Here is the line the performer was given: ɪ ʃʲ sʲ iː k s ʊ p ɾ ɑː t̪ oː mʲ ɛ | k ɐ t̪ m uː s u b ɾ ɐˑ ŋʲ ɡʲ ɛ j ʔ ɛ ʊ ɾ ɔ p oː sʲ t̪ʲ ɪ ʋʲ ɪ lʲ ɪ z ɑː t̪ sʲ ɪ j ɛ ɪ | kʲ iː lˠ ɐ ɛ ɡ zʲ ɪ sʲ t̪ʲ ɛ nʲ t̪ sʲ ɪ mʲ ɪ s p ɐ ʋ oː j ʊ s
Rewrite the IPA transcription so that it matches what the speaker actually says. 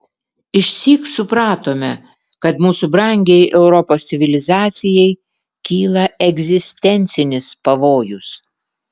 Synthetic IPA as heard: ɪ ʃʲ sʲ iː k s ʊ p ɾ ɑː t̪ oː mʲ ɛ | k ɐ t̪ m uː s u b ɾ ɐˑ ŋʲ ɡʲ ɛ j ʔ ɛ ʊ ɾ ɔ p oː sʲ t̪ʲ ɪ ʋʲ ɪ lʲ ɪ z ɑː t̪ sʲ ɪ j ɛ ɪ | kʲ iː lˠ ɐ ɛ ɡ zʲ ɪ sʲ t̪ʲ ɛ nʲ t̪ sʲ ɪ nʲ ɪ s p ɐ ʋ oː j ʊ s

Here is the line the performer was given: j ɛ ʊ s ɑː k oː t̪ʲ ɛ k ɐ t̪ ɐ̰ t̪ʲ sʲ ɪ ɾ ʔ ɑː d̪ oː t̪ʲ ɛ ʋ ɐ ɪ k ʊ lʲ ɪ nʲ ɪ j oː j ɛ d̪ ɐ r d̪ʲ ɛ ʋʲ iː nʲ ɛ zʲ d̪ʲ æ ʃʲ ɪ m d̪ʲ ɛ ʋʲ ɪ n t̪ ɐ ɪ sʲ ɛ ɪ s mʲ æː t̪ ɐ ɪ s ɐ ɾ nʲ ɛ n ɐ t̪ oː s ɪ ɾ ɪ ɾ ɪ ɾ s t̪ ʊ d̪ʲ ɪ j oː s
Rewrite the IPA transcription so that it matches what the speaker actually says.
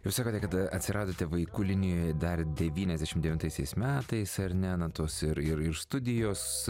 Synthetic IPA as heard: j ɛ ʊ s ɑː k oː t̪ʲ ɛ k ɐ t̪ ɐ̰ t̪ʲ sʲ ɪ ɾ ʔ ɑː d̪ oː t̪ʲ ɛ ʋ ɐ ɪ k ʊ lʲ ɪ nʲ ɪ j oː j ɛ d̪ ɐ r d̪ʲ ɛ ʋʲ iː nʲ ɛ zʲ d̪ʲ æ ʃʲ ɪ m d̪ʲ ɛ ʋʲ ɪ n t̪ ɐ ɪ sʲ ɛ ɪ s mʲ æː t̪ ɐ ɪ s ɐ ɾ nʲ ɛ n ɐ t̪ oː s ɪ ɾ ɪ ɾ ɪ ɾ s t̪ ʊ d̪ʲ ɪ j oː s

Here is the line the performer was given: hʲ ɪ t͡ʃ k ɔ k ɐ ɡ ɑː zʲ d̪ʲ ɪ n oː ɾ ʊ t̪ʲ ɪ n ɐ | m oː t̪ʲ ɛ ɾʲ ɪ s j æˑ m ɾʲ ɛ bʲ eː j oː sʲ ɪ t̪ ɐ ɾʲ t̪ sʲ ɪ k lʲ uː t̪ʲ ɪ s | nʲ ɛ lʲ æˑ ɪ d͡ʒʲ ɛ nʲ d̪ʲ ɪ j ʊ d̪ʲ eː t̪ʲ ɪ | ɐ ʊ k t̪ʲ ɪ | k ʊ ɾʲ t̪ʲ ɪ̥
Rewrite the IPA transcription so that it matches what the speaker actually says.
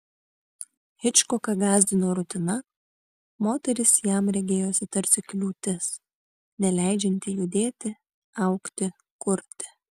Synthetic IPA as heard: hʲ ɪ t͡ʃ k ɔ k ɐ ɡ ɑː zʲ d̪ʲ ɪ n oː ɾ ʊ t̪ʲ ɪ n ɐ | m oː t̪ʲ ɛ ɾʲ ɪ s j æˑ m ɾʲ ɛ ɡʲ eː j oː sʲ ɪ t̪ ɐ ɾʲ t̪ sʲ ɪ k lʲ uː t̪ʲ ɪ s | nʲ ɛ lʲ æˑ ɪ d͡ʒʲ ɛ nʲ t̪ʲ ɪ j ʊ d̪ʲ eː t̪ʲ ɪ | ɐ ʊ k t̪ʲ ɪ | k ʊ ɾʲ t̪ʲ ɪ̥

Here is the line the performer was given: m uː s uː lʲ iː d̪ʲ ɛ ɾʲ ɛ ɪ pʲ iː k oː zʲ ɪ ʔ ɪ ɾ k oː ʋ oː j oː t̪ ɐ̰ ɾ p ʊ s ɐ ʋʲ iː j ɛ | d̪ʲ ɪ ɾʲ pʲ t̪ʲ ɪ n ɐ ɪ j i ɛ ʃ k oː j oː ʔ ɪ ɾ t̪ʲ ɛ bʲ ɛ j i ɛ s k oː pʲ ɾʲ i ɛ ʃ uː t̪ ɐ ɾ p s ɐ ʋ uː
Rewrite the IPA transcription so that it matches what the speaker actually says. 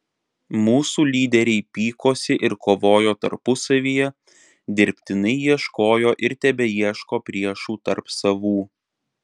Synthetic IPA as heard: m uː s uː lʲ iː d̪ʲ ɛ ɾʲ ɛ ɪ pʲ iː k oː sʲ ɪ ʔ ɪ ɾ k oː ʋ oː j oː t̪ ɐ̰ ɾ p ʊ s ɐ ʋʲ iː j ɛ | d̪ʲ ɪ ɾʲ pʲ t̪ʲ ɪ n ɐ ɪ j i ɛ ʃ k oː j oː ʔ ɪ ɾ t̪ʲ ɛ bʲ ɛ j i ɛ ʃ k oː pʲ ɾʲ i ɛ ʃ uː t̪ ɐ ɾ p s ɐ ʋ uː

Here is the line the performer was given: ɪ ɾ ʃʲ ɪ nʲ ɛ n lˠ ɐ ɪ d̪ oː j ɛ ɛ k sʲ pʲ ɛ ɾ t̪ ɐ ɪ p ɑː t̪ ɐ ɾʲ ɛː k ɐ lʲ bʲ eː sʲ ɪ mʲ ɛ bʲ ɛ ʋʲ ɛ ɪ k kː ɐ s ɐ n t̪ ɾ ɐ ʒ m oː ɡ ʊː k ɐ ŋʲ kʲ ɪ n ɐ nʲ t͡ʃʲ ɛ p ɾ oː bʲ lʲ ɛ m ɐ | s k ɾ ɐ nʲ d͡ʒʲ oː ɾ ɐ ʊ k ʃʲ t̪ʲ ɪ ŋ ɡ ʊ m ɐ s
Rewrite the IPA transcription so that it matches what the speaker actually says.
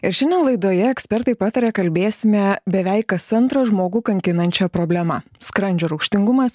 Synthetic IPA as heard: ɪ ɾ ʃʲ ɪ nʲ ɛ n lˠ ɐ ɪ d̪ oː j ɛ ɛ k sʲ pʲ ɛ ɾ t̪ ɐ ɪ p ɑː t̪ ɐ ɾʲ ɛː k ɐ lʲ bʲ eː sʲ ɪ mʲ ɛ bʲ ɛ ʋʲ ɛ ɪ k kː ɐ s ɐ n t̪ ɾ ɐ ʒ m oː ɡ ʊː k ɐ ŋʲ kʲ ɪ n ɐ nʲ t͡ʃʲ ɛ p ɾ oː bʲ lʲ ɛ m ɐ | s k ɾ ɐ nʲ d͡ʒʲ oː ɾ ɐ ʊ k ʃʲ t̪ʲ ɪ ŋ ɡ ʊ m ɐ s

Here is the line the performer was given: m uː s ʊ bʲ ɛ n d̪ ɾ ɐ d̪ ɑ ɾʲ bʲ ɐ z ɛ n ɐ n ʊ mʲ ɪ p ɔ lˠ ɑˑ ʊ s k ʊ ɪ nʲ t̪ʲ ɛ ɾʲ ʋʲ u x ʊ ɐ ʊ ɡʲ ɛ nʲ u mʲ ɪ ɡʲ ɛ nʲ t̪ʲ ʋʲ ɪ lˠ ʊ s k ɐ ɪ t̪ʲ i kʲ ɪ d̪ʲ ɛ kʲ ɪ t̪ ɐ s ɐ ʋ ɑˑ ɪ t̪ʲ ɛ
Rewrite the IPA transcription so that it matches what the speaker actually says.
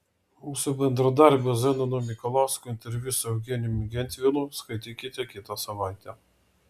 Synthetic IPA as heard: m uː s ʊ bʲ ɛ n d̪ ɾ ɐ d̪ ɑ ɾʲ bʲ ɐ z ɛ n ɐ n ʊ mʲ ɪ k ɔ lˠ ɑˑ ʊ s k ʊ ɪ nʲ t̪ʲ ɛ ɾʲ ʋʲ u s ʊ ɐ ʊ ɡʲ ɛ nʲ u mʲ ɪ ɡʲ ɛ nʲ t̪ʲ ʋʲ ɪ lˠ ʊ s k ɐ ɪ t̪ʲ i kʲ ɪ t̪ʲ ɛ kʲ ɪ t̪ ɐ s ɐ ʋ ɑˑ ɪ t̪ʲ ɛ

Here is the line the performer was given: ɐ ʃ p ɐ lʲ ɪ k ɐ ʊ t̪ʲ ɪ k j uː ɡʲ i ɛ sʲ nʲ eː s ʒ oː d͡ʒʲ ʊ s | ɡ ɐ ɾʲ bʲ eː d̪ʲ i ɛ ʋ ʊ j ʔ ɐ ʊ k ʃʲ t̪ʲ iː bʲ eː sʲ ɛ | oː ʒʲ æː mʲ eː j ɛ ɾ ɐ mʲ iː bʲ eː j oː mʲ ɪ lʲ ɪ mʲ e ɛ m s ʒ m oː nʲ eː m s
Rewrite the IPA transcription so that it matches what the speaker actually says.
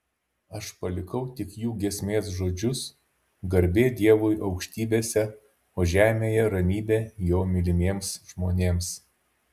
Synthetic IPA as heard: ɐ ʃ p ɐ lʲ ɪ k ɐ ʊ t̪ʲ ɪ k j uː ɡʲ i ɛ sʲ mʲ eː s ʒ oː d͡ʒʲ ʊ s | ɡ ɐ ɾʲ bʲ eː d̪ʲ i ɛ ʋ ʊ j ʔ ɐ ʊ k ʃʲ t̪ʲ iː bʲ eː sʲ ɛ | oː ʒʲ æː mʲ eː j ɛ ɾ ɐ mʲ iː bʲ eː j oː mʲ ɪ lʲ ɪ mʲ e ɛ m s ʒ m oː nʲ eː m s

